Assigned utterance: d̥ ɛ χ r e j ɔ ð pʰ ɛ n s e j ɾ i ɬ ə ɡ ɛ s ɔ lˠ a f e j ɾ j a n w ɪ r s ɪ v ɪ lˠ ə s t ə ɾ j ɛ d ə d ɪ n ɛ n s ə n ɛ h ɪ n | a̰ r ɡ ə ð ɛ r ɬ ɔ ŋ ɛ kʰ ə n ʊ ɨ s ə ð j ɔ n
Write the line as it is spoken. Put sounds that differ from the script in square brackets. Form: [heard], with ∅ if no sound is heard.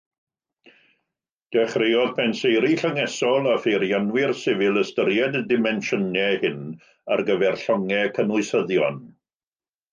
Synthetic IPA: d̥ ɛ χ r e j ɔ ð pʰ ɛ n s e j ɾ i ɬ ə [ŋ] ɛ s ɔ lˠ a f e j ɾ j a n w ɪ r s ɪ v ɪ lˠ ə s t ə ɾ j ɛ d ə d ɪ [m] ɛ n [ʃ] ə n ɛ h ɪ n | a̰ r ɡ ə [v] ɛ r ɬ ɔ ŋ ɛ kʰ ə n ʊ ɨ s ə ð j ɔ n